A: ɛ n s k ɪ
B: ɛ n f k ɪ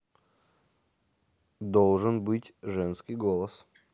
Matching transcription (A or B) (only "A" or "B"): A